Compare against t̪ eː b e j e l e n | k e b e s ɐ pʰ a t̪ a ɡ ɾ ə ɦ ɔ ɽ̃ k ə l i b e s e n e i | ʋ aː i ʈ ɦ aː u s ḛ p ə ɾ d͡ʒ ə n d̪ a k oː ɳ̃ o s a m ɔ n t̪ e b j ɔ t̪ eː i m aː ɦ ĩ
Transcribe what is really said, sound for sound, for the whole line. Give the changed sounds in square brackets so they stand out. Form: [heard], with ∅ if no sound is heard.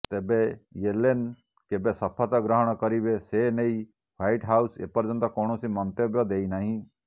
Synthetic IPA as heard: t̪ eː b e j e l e n | k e b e s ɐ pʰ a t̪ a ɡ ɾ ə ɦ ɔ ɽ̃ k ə [ɾ] i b e s e n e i | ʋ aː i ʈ ɦ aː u s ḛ p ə ɾ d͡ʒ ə n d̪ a k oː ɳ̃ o s [i] m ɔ n t̪ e b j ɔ [d̪] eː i [n] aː ɦ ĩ